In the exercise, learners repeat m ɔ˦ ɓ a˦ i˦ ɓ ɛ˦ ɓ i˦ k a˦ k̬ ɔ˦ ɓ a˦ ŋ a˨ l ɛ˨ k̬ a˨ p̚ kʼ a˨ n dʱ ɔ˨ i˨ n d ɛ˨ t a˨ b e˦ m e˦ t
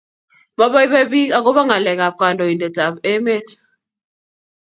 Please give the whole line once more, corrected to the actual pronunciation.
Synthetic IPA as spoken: m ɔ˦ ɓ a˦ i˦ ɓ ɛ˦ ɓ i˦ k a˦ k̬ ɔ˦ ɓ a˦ ŋ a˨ l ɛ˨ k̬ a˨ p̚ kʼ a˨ n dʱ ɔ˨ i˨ n d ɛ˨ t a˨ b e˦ m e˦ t